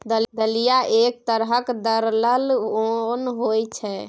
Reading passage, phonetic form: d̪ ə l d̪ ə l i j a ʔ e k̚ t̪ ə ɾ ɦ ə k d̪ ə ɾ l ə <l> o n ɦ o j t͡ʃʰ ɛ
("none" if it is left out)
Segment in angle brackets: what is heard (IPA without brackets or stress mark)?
l